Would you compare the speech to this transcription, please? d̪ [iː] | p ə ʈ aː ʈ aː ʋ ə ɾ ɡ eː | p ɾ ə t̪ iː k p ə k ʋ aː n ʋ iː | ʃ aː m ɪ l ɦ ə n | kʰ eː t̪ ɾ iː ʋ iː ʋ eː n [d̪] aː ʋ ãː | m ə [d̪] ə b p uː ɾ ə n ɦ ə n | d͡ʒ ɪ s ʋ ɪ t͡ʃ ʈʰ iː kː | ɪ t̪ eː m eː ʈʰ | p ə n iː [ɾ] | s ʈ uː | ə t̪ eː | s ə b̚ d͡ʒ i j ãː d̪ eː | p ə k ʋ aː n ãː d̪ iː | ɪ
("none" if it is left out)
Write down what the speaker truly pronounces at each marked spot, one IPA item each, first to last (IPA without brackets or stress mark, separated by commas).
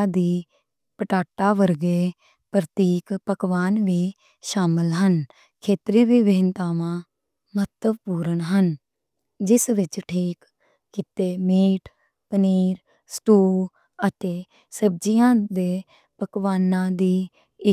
iː, t̪, t̪, ɾ